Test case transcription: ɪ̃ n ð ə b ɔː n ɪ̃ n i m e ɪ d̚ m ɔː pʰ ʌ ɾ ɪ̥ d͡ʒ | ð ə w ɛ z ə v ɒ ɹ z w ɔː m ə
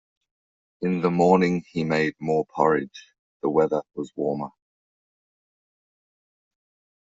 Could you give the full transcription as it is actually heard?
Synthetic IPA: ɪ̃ n ð ə m ɔː n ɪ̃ ŋ i m e ɪ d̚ m ɔː pʰ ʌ ɹ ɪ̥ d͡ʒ | ð ə w ɛ ð ə w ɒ z w ɔː m ə